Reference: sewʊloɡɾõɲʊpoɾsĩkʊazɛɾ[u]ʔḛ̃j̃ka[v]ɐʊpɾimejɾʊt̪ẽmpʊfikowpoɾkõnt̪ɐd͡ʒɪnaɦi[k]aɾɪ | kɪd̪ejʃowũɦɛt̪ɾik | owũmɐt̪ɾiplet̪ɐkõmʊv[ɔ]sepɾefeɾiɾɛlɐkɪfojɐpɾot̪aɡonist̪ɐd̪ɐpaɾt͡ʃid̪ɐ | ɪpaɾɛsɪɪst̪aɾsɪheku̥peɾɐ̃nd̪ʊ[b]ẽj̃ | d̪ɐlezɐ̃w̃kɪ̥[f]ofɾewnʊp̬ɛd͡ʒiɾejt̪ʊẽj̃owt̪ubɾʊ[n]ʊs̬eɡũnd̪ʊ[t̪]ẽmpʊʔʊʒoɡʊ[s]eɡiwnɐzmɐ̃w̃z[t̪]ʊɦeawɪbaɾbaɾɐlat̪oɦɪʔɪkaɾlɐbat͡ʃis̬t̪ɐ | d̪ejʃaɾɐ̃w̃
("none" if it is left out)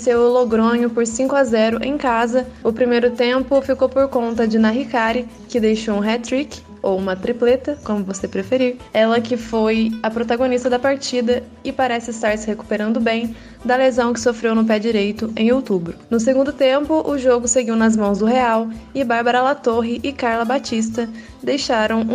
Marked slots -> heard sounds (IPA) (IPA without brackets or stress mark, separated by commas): ʊ, z, k, o, b, s, n, t̪, s, d̪